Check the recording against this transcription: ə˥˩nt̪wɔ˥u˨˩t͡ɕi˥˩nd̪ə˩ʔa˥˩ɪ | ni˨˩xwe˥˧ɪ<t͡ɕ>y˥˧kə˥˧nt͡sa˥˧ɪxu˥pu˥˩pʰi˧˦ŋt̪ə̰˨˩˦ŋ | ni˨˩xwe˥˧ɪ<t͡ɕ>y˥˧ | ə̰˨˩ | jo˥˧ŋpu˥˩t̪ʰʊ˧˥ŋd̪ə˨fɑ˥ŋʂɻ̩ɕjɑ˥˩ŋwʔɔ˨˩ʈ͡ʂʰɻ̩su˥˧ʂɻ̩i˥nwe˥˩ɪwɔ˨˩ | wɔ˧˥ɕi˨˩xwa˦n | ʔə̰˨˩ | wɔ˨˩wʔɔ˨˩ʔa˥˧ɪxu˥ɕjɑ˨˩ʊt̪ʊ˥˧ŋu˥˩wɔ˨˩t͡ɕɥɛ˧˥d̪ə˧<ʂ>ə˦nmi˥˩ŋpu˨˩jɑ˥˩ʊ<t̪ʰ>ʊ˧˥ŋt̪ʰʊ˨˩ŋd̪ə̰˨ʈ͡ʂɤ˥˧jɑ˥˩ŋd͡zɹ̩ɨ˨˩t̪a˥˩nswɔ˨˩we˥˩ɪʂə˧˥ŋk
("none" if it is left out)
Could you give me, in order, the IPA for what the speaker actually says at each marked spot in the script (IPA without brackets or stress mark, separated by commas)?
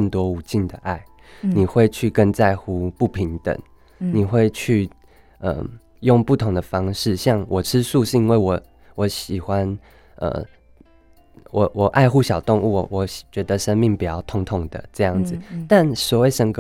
t͡ɕʰ, t͡ɕʰ, ʂ, t̪ʰ